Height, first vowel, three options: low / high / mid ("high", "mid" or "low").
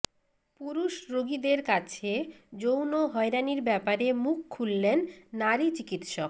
high